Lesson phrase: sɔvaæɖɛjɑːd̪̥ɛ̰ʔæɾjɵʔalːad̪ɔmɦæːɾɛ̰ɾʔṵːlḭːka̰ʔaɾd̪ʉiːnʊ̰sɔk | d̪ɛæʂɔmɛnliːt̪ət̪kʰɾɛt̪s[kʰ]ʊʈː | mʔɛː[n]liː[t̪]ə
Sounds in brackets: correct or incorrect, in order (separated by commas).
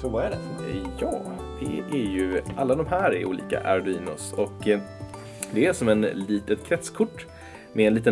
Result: correct, correct, correct